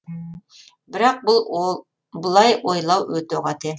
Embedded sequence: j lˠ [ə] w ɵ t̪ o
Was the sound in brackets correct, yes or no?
no